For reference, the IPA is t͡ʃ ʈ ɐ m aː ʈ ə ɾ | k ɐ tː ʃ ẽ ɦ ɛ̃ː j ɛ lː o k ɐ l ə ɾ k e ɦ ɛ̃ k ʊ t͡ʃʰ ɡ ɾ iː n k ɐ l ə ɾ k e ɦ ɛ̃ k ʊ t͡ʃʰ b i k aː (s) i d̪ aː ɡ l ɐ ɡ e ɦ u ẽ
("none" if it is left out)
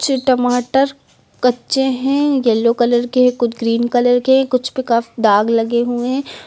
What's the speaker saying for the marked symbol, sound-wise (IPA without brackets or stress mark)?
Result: f